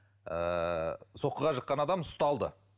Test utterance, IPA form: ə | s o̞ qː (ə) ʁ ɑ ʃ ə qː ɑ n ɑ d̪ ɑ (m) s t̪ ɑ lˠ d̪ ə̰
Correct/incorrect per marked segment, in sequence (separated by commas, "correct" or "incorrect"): correct, correct